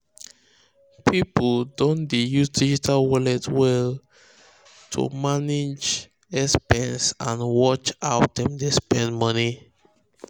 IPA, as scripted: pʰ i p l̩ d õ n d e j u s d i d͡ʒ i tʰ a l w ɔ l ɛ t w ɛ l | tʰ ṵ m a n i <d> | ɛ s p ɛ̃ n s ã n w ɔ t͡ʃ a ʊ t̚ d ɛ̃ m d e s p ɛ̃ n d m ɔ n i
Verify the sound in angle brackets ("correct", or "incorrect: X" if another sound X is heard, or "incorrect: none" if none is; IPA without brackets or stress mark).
incorrect: d͡ʒ